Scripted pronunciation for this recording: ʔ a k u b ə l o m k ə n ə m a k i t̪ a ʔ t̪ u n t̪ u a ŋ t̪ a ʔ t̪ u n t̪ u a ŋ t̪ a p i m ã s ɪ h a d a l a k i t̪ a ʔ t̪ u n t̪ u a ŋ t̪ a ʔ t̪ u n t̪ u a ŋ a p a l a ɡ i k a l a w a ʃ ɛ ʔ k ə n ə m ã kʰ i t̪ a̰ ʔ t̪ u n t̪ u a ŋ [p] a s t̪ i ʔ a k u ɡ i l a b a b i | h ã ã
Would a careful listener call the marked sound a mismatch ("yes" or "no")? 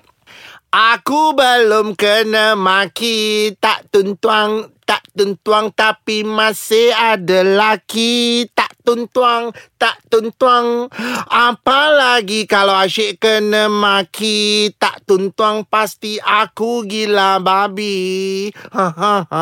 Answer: no